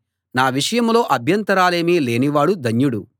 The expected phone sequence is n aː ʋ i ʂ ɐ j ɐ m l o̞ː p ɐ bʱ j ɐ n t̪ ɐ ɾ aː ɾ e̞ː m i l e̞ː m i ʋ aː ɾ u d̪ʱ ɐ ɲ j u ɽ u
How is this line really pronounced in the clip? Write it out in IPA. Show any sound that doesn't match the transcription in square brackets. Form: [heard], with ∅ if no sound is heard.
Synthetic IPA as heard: n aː ʋ i ʂ ɐ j ɐ m l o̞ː [ʔ] ɐ bʱ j ɐ n t̪ ɐ ɾ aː [l] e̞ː m i l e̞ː [n] i ʋ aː [ɽ] u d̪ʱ ɐ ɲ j u ɽ u